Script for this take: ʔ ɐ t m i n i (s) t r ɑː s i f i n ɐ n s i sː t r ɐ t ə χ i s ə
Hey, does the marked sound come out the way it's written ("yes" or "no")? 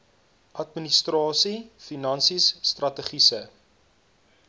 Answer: yes